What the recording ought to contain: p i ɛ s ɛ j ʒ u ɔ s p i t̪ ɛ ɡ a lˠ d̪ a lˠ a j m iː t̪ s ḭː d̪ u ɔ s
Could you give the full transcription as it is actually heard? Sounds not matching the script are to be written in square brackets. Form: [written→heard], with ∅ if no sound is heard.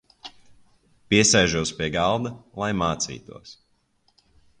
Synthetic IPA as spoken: p i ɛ s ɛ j ʒ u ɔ s p i [t̪→∅] ɛ ɡ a lˠ d̪ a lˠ a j m [iː→aː] t̪ s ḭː [d̪→t̪] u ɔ s